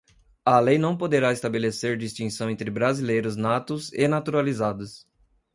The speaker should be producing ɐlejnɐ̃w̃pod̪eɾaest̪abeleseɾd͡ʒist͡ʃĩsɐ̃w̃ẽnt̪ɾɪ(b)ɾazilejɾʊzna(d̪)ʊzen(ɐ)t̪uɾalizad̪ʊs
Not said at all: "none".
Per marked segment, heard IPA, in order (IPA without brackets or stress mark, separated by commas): b, t̪, a